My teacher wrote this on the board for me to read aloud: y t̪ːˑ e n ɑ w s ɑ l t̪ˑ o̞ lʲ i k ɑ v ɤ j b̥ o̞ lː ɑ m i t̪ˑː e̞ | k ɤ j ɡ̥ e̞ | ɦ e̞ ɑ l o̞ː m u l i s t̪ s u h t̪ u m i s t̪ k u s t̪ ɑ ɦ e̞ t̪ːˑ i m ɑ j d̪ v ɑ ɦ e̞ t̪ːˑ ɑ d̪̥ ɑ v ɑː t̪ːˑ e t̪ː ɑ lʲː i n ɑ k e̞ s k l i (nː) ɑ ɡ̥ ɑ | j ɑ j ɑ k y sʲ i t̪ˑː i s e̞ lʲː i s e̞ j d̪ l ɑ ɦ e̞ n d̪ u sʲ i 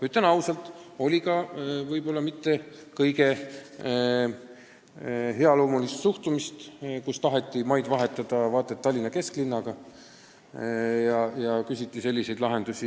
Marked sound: correct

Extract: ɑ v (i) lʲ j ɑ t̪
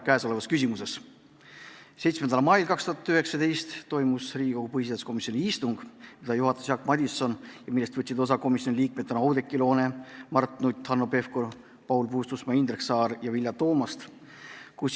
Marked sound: correct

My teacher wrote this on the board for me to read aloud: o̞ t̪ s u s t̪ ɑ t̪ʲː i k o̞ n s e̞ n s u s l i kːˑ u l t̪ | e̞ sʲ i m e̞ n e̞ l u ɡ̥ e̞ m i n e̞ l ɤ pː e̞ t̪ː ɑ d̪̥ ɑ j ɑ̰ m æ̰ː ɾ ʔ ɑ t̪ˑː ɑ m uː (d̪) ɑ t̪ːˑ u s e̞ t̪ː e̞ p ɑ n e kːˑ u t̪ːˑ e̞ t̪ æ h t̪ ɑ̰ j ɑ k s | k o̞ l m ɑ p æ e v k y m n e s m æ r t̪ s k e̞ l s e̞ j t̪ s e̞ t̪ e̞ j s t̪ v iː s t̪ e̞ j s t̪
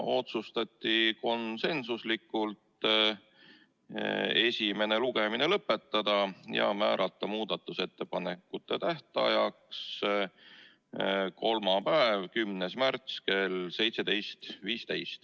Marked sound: correct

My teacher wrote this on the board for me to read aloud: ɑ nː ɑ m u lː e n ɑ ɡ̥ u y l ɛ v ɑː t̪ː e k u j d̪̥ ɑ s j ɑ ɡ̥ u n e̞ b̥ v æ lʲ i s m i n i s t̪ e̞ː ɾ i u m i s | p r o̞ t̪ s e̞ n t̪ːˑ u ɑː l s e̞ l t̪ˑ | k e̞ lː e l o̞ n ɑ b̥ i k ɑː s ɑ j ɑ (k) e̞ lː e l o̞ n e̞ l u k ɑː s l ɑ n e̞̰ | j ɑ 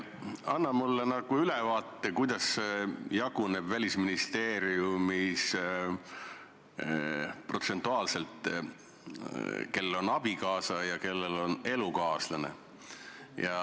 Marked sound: correct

